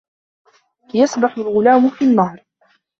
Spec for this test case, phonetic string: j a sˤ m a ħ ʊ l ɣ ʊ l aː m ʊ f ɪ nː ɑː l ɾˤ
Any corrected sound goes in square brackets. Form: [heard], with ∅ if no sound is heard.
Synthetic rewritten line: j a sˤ [b] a ħ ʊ l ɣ ʊ l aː m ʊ f [i] nː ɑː [∅] ɾˤ